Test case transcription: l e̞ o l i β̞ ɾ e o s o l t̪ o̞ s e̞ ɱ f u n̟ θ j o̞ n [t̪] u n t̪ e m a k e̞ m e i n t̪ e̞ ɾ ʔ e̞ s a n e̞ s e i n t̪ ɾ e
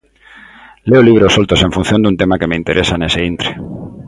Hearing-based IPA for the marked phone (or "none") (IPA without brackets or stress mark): d̪